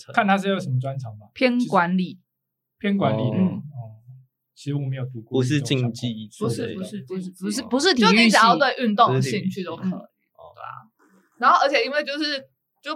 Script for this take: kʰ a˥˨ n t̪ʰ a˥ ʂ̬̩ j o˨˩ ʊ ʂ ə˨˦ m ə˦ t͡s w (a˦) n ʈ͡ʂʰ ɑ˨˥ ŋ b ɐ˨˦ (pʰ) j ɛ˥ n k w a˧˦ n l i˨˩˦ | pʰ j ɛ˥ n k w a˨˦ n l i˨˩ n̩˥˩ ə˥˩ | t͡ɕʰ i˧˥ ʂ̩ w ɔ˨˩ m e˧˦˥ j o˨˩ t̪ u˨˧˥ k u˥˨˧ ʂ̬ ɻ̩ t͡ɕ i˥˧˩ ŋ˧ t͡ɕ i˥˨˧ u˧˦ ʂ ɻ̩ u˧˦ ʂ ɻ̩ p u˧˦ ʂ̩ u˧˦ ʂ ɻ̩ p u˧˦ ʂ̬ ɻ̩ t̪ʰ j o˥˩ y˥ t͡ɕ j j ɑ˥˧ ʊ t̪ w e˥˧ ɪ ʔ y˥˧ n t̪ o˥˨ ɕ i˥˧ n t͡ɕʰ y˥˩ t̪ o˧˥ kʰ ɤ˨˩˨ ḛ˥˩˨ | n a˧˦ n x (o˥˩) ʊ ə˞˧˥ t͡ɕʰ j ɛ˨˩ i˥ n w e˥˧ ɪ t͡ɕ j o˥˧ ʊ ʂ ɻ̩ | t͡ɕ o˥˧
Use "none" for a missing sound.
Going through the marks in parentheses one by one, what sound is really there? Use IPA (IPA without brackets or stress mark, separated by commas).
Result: a˦, pʰ, o˥